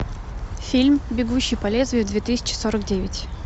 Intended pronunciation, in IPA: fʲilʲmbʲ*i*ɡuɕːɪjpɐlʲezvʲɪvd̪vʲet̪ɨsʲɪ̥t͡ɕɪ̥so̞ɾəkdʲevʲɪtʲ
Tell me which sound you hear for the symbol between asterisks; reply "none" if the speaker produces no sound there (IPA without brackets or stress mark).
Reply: ɪ